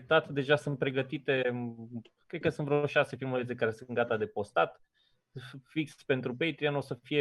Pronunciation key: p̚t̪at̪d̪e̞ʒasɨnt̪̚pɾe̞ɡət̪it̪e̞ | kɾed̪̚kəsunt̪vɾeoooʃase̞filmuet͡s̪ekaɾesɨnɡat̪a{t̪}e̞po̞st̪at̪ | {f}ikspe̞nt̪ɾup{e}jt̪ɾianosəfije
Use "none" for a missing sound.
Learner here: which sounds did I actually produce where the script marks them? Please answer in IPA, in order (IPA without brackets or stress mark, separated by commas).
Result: d̪, f, e